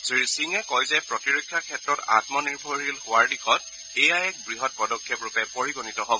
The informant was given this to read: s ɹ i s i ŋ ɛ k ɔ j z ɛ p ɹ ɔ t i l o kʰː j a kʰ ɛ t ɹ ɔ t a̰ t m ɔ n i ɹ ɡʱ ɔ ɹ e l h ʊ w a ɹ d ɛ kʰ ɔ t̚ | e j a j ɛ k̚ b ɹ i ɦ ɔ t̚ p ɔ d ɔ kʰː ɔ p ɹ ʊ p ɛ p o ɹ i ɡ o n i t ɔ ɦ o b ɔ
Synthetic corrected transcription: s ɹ i s i ŋ ɛ k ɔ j z ɛ p ɹ ɔ t i ɹ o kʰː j a kʰ ɛ t ɹ ɔ t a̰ t m ɔ n i ɹ bʱ ɔ ɹ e l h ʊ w a ɹ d i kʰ ɔ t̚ | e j a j ɛ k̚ b ɹ i ɦ ɔ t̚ p ɔ d ɔ kʰː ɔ p ɹ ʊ p ɛ p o ɹ i ɡ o n i t ɔ ɦ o b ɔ